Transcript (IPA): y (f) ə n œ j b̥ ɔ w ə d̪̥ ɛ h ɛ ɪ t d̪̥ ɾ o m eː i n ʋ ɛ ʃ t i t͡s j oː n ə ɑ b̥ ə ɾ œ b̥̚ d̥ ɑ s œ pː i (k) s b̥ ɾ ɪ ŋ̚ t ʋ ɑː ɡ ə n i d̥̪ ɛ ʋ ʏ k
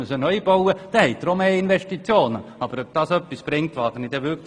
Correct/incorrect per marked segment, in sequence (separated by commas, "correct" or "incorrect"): incorrect, incorrect